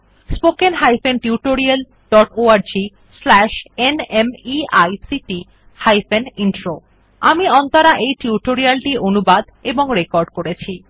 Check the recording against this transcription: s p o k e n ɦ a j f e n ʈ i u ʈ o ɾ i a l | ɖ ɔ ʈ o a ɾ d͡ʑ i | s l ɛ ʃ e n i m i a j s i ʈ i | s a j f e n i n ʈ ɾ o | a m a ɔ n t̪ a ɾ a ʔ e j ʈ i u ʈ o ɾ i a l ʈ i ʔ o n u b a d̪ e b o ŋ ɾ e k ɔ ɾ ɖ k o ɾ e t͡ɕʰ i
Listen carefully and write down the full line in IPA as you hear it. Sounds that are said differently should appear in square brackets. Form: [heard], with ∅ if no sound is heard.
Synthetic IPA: s p o k e n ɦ a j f e n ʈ i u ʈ o ɾ i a l | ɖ ɔ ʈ o a ɾ d͡ʑ i | s l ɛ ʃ e n [e] m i a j s i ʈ i | [h] a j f e n i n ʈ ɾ o | a m [i] ɔ n t̪ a ɾ a ʔ e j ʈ i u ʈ o ɾ i a l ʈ i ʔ o n u b a d̪ e b o ŋ ɾ e k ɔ ɾ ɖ k o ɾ e t͡ɕʰ i